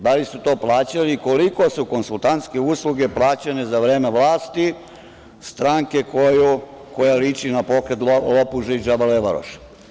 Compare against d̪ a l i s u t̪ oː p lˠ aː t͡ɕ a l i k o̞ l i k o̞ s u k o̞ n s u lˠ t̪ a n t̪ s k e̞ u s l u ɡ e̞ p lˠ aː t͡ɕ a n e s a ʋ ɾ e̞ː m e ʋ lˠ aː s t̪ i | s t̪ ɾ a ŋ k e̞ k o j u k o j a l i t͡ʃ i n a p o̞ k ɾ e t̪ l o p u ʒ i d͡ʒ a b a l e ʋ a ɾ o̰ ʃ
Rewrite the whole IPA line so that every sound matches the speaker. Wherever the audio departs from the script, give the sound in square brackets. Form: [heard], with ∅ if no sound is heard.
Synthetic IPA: d̪ a l i s u t̪ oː p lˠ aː t͡ɕ a l i k o̞ l i k o̞ s u k o̞ n s u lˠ t̪ a n t̪ s k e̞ u s l u ɡ e̞ p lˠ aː t͡ɕ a n e [z] a ʋ ɾ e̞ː m e ʋ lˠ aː s t̪ i | s t̪ ɾ a ŋ k e̞ k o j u k o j a l i t͡ʃ i n a p o̞ k ɾ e t̪ l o p u ʒ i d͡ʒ a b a l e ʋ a ɾ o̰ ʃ